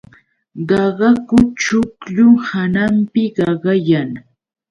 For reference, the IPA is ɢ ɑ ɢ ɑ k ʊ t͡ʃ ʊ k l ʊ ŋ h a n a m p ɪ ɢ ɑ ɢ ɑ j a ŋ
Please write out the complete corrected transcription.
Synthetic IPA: ɢ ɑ ɢ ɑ k ʊ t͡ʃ ʊ k ʎ ʊ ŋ h a n a m p ɪ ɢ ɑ ɢ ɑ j a ŋ